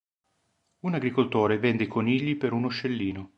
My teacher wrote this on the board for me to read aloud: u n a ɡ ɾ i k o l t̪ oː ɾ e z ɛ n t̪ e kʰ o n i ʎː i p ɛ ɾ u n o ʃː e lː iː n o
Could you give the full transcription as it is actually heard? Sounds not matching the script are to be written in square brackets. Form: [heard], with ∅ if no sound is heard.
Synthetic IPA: u n a ɡ ɾ i k o l t̪ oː ɾ e [v] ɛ n [d̪] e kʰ o n i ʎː i p [e] ɾ u n o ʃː e lː iː n o

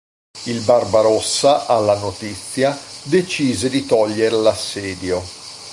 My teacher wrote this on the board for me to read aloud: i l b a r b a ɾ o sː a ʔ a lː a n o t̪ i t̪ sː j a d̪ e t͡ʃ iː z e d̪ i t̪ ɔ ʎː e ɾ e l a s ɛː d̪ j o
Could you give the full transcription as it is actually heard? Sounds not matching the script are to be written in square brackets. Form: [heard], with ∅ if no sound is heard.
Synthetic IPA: i l b a r b a ɾ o sː a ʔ a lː a n o t̪ i t̪ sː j a d̪ e t͡ʃ iː z e d̪ i t̪ ɔ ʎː e ɾ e l a [sː] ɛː d̪ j o

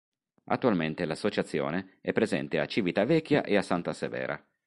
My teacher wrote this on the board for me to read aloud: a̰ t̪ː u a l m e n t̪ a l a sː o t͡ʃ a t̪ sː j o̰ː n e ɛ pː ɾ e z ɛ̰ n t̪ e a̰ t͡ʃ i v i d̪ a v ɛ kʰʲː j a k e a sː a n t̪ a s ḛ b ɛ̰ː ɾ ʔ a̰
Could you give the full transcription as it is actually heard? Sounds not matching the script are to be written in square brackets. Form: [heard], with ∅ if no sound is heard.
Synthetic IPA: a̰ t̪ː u a l m e n t̪ [e] l a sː o t͡ʃ a t̪ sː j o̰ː n e ɛ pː ɾ e z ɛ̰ n t̪ e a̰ t͡ʃ i v i [t̪] a v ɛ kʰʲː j a [ʔ] e a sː a n t̪ a s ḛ [v] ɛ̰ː ɾ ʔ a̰

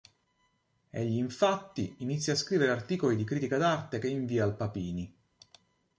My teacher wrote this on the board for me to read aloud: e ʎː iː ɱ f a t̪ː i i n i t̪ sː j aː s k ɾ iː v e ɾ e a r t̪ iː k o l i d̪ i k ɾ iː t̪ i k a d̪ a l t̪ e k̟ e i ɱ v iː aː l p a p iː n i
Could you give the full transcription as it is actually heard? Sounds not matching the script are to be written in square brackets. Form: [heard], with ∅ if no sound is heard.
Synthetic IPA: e ʎː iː ɱ f a t̪ː i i n i t̪ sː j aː s k ɾ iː v e ɾ e a r t̪ iː k o l i d̪ i k ɾ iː t̪ i k a d̪ a [r] t̪ e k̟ e i ɱ v iː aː l p a p iː n i

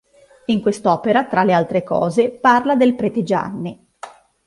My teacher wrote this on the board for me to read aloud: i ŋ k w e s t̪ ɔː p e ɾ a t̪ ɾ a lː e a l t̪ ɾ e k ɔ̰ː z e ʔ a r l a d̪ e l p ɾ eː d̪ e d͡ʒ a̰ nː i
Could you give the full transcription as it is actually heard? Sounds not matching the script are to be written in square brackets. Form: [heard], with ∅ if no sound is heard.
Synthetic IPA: i ŋ k w e s t̪ ɔː p e ɾ a t̪ ɾ a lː e a l t̪ ɾ e k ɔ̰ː z e [p] a r l a d̪ e l p ɾ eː [t̪] e d͡ʒ a̰ nː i

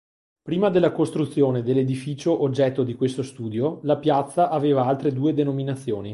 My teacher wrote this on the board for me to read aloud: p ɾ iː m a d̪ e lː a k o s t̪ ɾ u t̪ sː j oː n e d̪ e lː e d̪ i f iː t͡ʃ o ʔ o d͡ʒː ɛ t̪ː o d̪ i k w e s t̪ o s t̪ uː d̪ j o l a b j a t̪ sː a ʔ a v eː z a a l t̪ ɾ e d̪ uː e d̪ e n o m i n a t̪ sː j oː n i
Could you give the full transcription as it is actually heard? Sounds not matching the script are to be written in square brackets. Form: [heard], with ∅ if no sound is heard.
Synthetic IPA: p ɾ iː m a d̪ e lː a k o s t̪ ɾ u t̪ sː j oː n e d̪ e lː e d̪ i f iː t͡ʃ o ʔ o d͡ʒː ɛ t̪ː o d̪ i k w e s t̪ o s t̪ uː d̪ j o l a [p] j a t̪ sː a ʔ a v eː [v] a a l t̪ ɾ e d̪ uː e d̪ e n o m i n a t̪ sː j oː n i

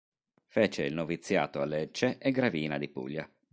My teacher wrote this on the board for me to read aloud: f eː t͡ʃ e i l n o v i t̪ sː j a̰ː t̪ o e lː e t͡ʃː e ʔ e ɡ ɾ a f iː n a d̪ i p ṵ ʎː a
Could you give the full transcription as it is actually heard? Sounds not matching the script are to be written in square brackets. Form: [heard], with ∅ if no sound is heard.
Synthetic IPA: f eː t͡ʃ e i l n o v i t̪ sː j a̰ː t̪ o [a] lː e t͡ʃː e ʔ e ɡ ɾ a [v] iː n a d̪ i p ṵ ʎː a

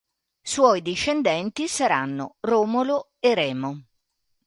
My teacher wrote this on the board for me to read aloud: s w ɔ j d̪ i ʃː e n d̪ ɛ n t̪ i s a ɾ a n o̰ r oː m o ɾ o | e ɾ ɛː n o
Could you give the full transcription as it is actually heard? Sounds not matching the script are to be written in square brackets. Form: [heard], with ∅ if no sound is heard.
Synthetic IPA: s w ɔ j d̪ i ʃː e n d̪ ɛ n t̪ i s a ɾ a [nː] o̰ r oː m o [l] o | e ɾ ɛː [m] o

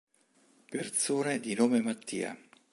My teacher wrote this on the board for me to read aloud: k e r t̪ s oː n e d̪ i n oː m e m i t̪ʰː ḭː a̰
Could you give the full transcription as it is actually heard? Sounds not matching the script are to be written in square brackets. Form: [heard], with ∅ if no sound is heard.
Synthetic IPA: [p] e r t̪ s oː n e d̪ i n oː m e m [a] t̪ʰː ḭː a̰

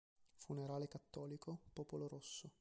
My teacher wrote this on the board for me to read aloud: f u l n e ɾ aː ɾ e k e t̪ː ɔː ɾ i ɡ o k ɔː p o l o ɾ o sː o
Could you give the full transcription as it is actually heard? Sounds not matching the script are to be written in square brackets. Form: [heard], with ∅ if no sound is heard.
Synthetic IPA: f u [∅] n e ɾ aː [l] e k [a] t̪ː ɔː [l] i [k] o [p] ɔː p o l o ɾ o sː o

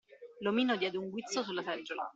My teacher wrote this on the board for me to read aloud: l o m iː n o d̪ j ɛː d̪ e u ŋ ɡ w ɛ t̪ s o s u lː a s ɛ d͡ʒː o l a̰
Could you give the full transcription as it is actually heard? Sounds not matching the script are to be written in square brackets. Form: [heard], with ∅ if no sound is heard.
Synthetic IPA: l o m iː n o d̪ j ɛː d̪ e u ŋ ɡ w [i] t̪ s o s u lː a s ɛ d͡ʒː o l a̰

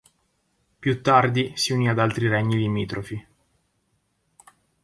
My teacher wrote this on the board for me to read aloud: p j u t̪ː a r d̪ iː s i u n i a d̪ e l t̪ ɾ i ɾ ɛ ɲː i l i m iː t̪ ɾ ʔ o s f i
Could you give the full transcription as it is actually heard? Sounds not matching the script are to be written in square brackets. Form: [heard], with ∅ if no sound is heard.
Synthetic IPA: p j u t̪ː a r d̪ [i] s i u n i a d̪ [a] l t̪ ɾ i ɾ ɛ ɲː i l i m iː t̪ ɾ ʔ o [∅] f i

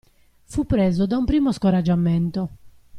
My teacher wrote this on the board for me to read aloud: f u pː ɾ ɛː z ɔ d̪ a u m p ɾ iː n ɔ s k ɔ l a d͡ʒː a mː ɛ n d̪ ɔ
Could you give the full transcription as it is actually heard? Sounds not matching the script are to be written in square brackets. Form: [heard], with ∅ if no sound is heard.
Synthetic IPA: f u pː ɾ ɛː z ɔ d̪ a u m p ɾ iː [m] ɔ s k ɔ [ɾ] a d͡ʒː a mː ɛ n [t̪] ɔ

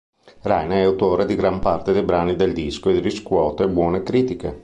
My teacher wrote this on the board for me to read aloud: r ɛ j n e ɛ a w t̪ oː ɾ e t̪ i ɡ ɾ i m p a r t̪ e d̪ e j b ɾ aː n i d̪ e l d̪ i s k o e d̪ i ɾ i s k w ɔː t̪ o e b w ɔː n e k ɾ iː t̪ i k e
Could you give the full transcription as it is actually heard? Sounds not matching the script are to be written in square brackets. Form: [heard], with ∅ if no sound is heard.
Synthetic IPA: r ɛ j n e ɛ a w t̪ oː ɾ e [d̪] i ɡ ɾ [a] m p a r t̪ e d̪ e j b ɾ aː n i d̪ e l d̪ i s k o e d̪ i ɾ i s k w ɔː t̪ o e b w ɔː n e k ɾ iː t̪ i k e

